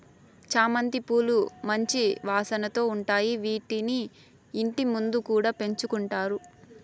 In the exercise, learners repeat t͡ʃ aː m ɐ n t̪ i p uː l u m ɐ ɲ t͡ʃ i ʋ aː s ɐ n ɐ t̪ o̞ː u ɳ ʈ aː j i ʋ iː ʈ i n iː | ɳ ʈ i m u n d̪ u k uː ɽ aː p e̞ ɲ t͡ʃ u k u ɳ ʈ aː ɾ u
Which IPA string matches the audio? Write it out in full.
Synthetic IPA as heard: t͡ʃ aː m ɐ n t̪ i p uː l u m ɐ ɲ t͡ʃ i ʋ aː s ɐ n ɐ t̪ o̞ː u ɳ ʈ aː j i ʋ iː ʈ i n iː | ɳ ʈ i m u n d̪ u k uː ɽ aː p e̞ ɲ t͡ʃ u k u ɳ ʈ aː ɾ u